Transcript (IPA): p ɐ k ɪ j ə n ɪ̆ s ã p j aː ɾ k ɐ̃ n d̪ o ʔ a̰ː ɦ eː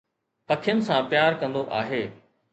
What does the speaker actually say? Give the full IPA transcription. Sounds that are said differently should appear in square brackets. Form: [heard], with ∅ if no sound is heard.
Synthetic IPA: p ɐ [kʰ] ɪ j ə n ɪ̆ s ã p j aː ɾ k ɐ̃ n d̪ o ʔ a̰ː ɦ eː